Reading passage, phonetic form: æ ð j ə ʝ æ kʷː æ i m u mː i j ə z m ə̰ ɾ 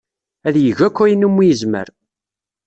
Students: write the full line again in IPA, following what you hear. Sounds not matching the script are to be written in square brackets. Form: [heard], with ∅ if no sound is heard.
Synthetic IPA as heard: æ ð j ə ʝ æ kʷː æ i [n] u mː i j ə z m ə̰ ɾ